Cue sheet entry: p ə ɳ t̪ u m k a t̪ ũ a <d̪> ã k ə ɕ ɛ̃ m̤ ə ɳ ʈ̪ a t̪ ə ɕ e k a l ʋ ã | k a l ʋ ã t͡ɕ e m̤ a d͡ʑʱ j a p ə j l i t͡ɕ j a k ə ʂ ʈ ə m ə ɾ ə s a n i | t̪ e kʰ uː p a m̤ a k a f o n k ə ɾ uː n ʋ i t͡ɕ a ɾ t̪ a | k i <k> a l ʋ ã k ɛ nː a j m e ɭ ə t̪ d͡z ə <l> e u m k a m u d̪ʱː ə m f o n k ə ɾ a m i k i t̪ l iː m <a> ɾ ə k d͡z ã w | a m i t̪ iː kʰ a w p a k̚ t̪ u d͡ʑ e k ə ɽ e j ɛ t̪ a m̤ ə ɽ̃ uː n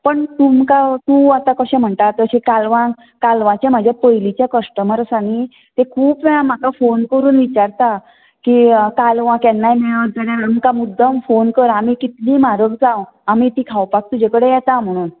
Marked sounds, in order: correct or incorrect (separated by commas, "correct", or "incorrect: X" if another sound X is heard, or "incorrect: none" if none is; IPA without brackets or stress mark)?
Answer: incorrect: t̪, correct, incorrect: ɽ, correct